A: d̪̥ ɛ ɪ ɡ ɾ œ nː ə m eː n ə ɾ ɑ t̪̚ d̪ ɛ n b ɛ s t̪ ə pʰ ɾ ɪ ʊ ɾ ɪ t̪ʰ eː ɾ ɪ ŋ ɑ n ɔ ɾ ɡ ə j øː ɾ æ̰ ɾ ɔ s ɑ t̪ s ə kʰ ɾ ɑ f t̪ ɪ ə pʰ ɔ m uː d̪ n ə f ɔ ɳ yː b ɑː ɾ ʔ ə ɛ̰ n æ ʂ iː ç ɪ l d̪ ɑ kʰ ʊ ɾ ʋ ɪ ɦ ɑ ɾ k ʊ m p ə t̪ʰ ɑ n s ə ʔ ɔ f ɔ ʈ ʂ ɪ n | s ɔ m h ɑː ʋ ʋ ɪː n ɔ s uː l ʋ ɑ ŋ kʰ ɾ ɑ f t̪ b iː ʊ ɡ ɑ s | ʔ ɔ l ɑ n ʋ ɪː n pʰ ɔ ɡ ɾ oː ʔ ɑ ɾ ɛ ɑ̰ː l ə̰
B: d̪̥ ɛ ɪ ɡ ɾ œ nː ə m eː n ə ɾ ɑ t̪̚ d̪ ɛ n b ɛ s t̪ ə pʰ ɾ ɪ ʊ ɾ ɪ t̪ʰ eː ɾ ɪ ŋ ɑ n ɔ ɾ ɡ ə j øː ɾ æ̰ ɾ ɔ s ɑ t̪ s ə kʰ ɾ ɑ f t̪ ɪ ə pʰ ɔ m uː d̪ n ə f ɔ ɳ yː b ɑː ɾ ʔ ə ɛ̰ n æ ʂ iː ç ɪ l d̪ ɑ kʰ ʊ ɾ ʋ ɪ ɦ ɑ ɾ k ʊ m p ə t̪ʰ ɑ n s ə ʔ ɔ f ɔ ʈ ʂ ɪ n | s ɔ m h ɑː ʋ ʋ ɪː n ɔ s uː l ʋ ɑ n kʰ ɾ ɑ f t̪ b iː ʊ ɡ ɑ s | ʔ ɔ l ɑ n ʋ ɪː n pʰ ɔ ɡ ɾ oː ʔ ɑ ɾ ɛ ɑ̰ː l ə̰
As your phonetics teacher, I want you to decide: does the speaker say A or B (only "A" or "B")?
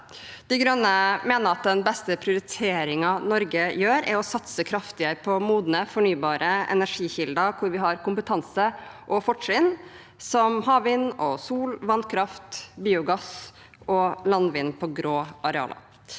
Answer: B